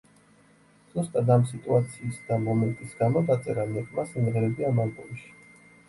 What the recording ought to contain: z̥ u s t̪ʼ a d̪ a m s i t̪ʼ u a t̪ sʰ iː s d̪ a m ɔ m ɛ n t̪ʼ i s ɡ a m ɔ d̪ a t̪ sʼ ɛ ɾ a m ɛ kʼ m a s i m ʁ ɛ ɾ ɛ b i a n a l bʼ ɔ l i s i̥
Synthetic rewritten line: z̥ u s t̪ʼ a d̪ a m s i t̪ʼ u a t̪ sʰ iː s d̪ a m ɔ m ɛ n t̪ʼ i s ɡ a m ɔ d̪ a t̪ sʼ ɛ ɾ a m ɛ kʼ m a s i m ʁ ɛ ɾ ɛ b i a m a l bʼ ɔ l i ʃ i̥